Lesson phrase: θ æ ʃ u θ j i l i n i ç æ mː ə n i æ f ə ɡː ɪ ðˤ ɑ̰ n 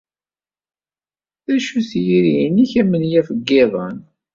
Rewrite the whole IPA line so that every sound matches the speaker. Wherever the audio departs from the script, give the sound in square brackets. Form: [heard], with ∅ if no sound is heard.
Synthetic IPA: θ æ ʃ u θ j i [ɾ] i n i ç æ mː ə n [j] æ f ə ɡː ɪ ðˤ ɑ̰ n